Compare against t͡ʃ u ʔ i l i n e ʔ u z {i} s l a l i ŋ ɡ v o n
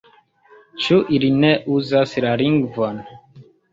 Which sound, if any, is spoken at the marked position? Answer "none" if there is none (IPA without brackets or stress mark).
a